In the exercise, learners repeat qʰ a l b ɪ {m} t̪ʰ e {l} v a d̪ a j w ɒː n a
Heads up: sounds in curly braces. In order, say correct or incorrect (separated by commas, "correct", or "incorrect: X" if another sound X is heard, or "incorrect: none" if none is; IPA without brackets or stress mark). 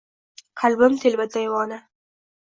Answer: correct, correct